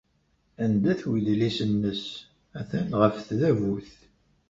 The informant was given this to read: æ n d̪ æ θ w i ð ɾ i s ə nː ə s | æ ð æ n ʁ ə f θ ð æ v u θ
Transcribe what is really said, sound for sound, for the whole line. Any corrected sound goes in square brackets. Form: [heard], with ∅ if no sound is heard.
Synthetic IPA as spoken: æ n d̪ æ θ w i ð [l] i s ə nː ə s | æ [θ] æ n ʁ ə f θ ð æ v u θ

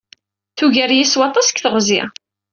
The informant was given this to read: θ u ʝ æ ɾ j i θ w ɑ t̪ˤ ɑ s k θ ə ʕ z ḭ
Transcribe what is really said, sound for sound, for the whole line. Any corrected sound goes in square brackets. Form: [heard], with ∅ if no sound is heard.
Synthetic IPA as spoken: θ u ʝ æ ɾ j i [s] w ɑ t̪ˤ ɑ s k θ ə [ʁ] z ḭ

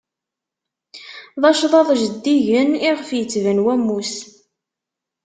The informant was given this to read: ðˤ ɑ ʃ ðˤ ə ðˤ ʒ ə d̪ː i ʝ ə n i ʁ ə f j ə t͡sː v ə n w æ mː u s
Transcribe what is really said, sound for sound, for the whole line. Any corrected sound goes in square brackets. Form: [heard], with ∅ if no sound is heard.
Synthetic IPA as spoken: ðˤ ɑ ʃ ðˤ [ɑ] ðˤ ʒ ə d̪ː i ʝ ə n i ʁ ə f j ə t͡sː v ə n w æ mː u s

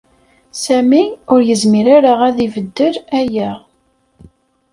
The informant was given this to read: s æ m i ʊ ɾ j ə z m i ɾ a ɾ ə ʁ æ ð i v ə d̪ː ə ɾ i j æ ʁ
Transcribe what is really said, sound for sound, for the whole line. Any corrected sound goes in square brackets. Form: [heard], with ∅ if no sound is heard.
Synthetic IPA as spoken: s æ m i ʊ ɾ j ə z m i ɾ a ɾ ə ʁ æ ð i v ə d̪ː ə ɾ [æ] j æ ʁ

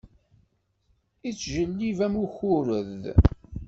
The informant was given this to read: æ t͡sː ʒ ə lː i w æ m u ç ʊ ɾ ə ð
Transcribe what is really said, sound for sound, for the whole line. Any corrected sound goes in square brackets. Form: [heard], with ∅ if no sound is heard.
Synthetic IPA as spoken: [i] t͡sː ʒ ə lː i [v] æ m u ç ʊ ɾ ə ð

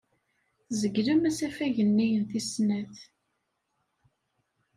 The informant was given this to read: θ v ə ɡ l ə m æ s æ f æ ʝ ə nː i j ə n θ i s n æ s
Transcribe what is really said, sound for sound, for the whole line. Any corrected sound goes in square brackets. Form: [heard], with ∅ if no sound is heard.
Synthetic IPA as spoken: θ [z] ə ɡ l ə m æ s æ f æ ʝ ə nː i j ə n θ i s n æ [θ]

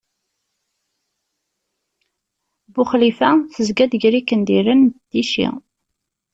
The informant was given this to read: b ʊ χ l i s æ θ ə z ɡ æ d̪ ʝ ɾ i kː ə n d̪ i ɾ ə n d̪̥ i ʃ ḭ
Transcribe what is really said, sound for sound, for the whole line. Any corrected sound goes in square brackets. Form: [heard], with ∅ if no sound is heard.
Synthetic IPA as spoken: b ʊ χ l i [f] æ θ ə z ɡ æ d̪ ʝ ɾ i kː ə n d̪ i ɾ ə n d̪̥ i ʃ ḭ

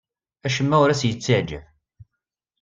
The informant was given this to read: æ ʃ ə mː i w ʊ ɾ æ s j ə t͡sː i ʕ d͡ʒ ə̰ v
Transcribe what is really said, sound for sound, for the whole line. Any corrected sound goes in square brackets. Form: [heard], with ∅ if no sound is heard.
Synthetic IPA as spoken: æ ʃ ə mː [æ] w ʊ ɾ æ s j ə t͡sː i ʕ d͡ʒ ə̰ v

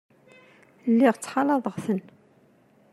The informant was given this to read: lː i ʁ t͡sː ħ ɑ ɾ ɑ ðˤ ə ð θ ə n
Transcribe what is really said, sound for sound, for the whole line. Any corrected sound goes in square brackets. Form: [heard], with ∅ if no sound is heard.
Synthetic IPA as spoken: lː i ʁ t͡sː ħ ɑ [l] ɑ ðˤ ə [ʁ] θ ə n

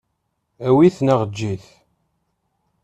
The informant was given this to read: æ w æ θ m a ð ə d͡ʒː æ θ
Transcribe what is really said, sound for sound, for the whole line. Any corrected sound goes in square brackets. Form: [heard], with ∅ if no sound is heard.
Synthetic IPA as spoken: æ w [i] θ [n] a [ʁ] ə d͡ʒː [i] θ

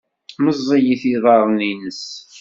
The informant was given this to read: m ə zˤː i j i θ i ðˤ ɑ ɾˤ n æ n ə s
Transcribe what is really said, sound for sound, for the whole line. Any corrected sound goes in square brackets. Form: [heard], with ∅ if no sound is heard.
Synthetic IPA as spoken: m ə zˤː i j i θ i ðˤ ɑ ɾˤ n [i] n ə s

